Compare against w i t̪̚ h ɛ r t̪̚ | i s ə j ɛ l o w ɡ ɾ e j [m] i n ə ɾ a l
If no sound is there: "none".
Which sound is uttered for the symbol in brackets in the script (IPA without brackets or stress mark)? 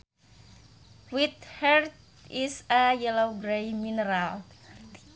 m